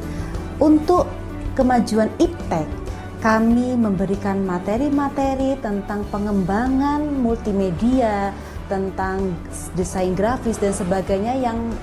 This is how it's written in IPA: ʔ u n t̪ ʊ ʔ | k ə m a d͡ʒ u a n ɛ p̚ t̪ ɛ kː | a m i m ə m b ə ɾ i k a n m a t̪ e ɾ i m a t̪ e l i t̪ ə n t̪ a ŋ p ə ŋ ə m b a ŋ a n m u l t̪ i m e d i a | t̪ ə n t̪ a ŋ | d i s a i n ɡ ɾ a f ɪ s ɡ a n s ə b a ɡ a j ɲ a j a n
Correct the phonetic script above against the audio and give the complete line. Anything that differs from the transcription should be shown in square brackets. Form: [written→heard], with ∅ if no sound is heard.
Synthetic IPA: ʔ u n t̪ ʊ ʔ | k ə m a d͡ʒ u a n [ɛ→i] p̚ t̪ ɛ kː | a m i m ə m b ə ɾ i k a n m a t̪ e ɾ i m a t̪ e [l→ɾ] i t̪ ə n t̪ a ŋ p ə ŋ ə m b a ŋ a n m u l t̪ i m e d i a | t̪ ə n t̪ a ŋ | d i s a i n ɡ ɾ a f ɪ s [ɡ→d] a n s ə b a ɡ a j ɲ a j a [n→ŋ]